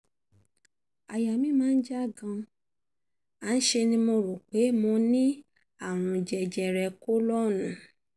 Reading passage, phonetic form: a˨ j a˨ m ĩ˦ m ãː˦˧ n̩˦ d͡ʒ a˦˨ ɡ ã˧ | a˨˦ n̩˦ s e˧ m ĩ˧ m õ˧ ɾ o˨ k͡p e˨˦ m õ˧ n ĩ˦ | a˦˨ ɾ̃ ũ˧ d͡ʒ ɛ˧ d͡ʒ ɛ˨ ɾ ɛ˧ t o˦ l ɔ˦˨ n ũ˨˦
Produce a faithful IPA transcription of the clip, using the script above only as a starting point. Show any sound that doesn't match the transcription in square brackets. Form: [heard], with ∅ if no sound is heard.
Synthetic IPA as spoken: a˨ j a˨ m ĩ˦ m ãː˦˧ n̩˦ d͡ʒ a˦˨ ɡ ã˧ | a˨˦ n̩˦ [ʃ] e˧ [n] ĩ˧ m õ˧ ɾ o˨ k͡p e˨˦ m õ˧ n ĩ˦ | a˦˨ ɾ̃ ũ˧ d͡ʒ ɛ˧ d͡ʒ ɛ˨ ɾ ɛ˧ [k] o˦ l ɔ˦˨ n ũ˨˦